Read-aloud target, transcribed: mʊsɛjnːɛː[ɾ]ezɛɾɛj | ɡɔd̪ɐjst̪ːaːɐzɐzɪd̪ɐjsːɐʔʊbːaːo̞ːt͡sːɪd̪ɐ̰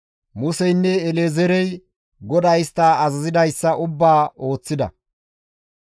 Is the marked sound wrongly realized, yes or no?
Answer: yes